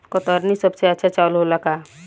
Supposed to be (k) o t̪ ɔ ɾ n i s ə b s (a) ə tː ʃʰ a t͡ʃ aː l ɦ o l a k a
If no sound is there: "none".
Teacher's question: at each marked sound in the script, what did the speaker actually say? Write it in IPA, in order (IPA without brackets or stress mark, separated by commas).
k, e